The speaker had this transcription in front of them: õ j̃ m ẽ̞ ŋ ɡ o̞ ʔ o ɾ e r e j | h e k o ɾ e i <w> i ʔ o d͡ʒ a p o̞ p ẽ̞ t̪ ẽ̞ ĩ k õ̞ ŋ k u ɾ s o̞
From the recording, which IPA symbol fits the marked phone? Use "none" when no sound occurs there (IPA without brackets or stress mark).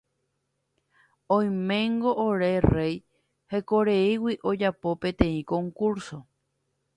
w